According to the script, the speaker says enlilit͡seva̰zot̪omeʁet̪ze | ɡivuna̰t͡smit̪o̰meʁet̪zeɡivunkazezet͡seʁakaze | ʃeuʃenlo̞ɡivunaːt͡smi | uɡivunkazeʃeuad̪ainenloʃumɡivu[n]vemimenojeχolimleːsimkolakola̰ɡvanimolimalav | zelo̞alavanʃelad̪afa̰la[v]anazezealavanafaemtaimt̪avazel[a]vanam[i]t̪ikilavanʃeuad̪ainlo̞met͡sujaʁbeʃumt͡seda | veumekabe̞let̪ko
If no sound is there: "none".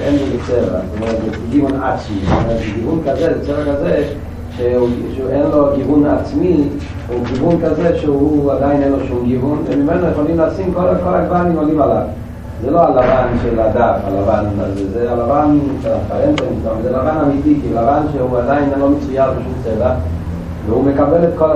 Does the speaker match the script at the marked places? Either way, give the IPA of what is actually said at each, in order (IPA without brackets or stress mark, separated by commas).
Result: n, v, a, i